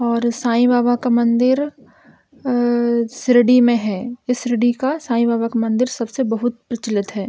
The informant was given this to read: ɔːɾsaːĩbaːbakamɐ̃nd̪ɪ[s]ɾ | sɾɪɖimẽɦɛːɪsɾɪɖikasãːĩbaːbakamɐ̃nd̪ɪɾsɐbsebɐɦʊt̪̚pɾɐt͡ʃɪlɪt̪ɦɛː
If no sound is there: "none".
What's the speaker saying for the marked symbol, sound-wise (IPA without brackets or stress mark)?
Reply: none